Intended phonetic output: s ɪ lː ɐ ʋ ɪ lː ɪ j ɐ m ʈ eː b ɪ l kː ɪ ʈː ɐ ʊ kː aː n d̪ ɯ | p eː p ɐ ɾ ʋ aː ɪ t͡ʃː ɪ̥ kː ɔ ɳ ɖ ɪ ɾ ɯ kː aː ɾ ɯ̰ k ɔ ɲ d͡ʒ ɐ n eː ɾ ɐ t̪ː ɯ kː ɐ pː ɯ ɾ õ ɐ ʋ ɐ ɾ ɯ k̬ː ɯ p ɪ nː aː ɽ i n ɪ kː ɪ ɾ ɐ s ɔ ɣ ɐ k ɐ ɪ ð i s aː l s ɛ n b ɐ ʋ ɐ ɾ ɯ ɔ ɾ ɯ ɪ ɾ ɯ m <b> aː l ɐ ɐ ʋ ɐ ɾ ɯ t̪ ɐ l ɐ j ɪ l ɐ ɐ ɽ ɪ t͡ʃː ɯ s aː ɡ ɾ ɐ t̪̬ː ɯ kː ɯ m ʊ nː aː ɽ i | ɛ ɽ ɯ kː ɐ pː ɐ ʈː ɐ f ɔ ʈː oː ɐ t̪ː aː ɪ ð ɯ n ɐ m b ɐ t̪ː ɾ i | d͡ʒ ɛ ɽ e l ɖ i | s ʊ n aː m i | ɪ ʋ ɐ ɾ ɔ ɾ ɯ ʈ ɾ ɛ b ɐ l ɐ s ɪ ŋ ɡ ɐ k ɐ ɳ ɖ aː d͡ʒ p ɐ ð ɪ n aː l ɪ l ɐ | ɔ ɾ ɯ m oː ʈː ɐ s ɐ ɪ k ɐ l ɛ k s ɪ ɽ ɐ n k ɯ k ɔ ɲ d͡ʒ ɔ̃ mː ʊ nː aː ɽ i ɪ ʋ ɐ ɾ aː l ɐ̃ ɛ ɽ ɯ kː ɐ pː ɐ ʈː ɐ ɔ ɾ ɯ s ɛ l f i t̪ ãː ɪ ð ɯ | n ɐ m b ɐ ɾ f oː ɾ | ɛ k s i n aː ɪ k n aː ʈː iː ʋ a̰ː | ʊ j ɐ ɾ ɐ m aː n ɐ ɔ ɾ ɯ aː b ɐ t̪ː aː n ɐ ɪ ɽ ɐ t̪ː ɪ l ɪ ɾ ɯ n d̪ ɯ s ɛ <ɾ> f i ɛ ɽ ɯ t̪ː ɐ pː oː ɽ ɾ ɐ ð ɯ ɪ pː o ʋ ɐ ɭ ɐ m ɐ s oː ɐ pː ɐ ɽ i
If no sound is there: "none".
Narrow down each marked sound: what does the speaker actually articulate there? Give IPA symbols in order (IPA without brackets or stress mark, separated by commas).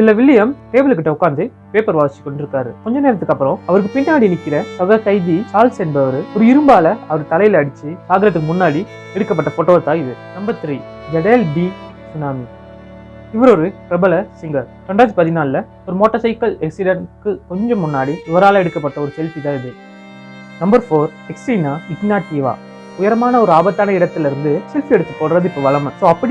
b, l